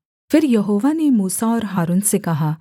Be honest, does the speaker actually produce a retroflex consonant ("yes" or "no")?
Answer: no